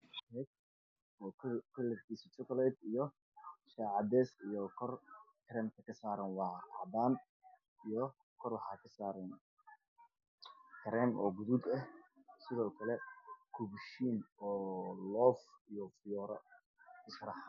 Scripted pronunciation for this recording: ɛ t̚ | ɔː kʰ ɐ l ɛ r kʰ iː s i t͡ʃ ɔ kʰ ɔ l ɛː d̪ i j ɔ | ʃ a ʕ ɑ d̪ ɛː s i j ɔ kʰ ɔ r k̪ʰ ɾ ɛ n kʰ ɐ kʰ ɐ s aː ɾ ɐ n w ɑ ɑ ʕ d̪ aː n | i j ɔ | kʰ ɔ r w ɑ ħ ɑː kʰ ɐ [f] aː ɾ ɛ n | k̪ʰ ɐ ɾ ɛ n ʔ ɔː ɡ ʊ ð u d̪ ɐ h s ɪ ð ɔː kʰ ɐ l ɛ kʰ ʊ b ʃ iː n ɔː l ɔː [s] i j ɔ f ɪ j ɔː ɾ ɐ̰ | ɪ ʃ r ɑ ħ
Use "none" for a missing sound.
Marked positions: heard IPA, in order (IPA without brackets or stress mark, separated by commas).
s, f